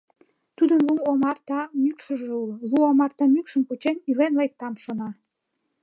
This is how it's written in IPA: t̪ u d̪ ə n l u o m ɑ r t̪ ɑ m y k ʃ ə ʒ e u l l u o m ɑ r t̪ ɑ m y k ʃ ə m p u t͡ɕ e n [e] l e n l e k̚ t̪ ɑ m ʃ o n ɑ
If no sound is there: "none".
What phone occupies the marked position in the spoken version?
i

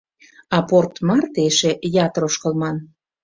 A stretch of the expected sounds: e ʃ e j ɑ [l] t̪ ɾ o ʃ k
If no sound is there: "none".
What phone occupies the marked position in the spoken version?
none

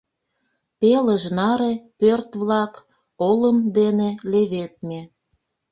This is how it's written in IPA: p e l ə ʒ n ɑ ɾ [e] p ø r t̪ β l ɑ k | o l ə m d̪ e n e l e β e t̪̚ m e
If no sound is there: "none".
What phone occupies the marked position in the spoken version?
e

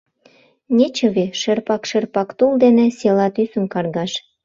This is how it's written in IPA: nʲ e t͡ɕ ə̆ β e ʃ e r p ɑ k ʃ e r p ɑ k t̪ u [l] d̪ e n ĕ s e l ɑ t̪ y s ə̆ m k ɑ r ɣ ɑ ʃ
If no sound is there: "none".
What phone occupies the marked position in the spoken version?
l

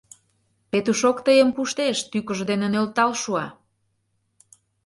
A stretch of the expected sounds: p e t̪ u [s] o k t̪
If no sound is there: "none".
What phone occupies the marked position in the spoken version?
ʃ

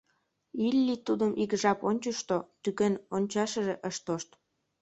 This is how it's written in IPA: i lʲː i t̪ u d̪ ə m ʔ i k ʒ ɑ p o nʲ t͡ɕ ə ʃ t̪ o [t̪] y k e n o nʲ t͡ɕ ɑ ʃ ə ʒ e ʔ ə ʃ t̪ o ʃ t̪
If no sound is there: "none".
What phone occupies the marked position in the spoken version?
t̪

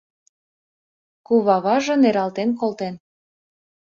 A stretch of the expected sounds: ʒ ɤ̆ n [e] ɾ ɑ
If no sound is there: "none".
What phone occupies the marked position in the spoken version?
e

